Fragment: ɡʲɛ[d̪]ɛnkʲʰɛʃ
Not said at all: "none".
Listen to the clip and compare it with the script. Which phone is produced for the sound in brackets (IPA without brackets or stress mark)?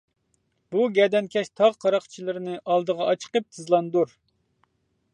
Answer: d̪